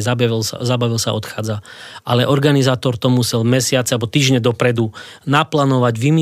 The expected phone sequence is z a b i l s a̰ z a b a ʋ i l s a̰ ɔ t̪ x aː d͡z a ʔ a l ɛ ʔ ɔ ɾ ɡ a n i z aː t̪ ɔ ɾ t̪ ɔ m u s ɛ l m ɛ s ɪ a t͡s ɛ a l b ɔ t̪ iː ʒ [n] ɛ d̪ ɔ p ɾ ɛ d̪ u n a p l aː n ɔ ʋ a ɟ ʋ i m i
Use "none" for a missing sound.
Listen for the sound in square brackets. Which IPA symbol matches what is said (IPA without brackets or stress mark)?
ɲ